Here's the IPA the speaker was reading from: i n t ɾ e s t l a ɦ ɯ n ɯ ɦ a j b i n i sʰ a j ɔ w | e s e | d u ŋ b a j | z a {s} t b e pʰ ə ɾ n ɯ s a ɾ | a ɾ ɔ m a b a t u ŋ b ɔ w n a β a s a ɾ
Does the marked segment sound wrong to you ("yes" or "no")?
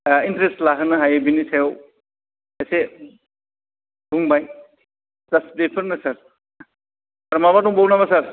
no